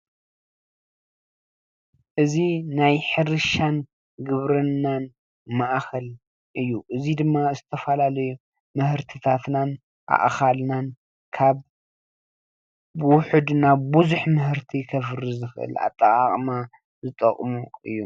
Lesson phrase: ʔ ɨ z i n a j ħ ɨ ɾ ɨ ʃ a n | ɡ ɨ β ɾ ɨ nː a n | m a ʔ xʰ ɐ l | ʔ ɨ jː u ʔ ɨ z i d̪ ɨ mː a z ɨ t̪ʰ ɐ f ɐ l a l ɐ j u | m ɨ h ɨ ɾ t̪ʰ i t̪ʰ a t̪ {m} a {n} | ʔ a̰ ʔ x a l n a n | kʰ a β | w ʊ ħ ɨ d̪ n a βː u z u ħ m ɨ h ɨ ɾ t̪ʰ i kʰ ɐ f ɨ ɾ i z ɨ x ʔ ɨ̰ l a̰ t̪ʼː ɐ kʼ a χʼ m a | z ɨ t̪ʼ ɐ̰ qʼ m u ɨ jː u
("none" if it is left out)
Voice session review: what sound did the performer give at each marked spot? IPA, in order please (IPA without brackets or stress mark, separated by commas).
n, n